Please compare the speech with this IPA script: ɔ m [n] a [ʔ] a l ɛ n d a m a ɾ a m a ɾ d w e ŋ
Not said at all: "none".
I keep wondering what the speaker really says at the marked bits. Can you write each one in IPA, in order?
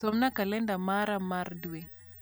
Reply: n, k

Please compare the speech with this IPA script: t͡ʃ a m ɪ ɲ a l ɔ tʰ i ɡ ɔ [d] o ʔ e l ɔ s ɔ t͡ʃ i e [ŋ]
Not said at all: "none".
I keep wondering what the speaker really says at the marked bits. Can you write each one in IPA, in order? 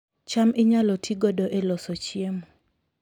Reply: d, m

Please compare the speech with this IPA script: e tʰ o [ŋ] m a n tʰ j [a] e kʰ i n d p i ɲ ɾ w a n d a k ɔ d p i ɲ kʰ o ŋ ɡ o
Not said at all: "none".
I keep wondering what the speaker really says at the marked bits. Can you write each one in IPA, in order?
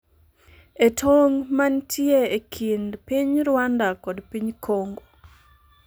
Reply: ŋ, e

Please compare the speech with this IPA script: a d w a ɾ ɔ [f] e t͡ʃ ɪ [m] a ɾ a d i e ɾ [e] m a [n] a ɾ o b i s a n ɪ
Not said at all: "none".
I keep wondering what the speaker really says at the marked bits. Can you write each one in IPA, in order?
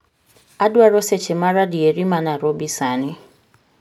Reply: s, m, i, n

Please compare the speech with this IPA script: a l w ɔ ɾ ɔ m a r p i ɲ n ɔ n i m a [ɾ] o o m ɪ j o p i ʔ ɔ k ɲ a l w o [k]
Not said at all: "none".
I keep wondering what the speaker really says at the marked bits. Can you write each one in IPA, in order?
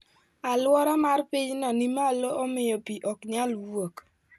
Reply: l, k

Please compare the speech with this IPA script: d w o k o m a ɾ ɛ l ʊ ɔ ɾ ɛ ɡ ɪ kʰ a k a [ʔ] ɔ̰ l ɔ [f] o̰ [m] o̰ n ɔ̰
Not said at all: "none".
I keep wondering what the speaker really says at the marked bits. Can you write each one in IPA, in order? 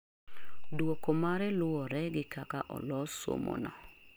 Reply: ʔ, s, m

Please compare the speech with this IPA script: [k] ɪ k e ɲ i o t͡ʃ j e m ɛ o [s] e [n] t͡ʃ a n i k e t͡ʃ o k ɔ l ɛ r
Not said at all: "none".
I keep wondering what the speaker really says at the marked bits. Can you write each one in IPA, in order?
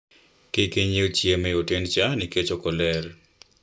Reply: k, t, n

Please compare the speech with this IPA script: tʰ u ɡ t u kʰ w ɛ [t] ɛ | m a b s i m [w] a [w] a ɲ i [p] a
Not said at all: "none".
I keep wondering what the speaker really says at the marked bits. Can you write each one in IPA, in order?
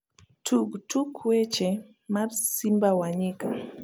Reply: t͡ʃ, b, w, k

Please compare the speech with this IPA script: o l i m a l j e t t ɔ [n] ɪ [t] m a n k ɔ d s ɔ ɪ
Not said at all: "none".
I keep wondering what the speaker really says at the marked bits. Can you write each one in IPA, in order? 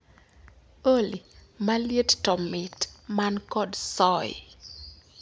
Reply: m, t

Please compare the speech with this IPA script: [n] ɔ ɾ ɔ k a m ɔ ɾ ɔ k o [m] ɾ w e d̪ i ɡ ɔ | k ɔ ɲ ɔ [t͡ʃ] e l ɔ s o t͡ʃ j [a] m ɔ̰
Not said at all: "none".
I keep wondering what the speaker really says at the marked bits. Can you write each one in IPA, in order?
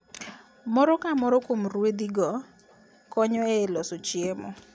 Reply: m, m, none, e

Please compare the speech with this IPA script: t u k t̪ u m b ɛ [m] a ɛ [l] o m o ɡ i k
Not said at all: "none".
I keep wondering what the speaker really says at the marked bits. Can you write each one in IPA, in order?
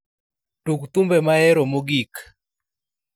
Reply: m, ɾ

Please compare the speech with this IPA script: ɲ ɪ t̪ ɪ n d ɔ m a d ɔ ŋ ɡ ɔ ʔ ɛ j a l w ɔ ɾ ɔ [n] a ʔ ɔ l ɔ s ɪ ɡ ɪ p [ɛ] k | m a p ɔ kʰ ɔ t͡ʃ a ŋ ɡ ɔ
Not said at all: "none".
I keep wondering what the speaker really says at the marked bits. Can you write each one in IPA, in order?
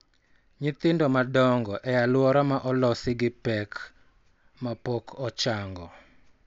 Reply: m, ɛ

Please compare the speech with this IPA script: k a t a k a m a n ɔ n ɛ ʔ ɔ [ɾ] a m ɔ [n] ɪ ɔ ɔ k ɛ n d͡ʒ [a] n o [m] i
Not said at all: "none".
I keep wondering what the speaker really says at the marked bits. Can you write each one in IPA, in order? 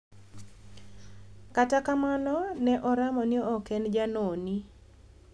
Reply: ɾ, n, a, n

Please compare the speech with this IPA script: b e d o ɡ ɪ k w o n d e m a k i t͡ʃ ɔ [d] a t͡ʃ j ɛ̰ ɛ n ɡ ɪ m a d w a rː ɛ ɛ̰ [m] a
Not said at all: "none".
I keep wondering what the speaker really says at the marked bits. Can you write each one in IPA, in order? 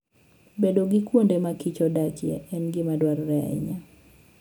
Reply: d, ɲ

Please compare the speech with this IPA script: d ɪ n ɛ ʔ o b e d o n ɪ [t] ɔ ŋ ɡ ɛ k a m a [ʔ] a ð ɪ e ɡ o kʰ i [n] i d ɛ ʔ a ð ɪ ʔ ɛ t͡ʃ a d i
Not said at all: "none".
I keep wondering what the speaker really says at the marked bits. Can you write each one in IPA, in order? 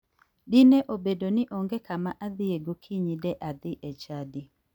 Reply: ʔ, ʔ, ɲ

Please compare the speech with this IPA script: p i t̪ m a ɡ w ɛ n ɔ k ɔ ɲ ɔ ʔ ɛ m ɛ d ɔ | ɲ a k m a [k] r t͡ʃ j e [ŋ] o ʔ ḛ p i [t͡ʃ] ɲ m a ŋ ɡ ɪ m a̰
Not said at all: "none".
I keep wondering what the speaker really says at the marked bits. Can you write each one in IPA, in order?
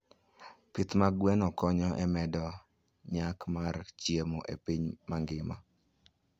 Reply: none, m, none

